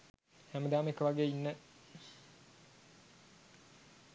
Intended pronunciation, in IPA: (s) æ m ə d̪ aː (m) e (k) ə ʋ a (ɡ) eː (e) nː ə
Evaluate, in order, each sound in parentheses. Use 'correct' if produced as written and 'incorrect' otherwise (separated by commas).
incorrect, correct, correct, correct, incorrect